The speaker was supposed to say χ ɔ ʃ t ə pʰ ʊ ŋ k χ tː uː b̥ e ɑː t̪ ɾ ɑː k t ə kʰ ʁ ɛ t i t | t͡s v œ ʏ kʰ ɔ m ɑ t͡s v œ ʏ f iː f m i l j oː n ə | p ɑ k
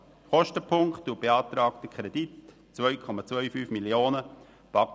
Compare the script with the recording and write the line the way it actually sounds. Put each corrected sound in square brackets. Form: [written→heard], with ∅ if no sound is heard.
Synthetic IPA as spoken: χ ɔ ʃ t ə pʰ ʊ ŋ k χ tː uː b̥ e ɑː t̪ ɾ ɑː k t ə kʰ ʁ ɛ [t→d] i t | t͡s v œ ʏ kʰ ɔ m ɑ t͡s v œ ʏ f [iː→yː] f m i l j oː n ə | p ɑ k